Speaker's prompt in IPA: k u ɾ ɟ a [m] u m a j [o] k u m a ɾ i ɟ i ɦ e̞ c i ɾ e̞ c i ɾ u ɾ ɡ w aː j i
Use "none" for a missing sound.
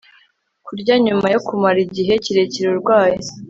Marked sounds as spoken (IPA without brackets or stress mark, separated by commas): ɲ, o